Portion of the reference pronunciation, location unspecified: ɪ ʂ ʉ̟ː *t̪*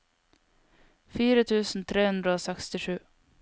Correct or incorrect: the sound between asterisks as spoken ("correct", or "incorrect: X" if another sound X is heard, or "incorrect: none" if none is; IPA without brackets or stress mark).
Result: incorrect: none